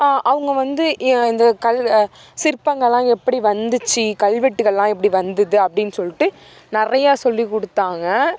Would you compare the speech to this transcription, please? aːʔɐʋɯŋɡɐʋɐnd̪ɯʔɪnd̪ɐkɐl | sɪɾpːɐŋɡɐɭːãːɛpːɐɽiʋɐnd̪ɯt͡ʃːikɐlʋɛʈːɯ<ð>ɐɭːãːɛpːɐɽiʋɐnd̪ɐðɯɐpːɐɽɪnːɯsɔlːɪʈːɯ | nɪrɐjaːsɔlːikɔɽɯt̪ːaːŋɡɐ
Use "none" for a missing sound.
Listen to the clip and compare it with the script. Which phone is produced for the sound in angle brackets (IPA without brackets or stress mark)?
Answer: ɣ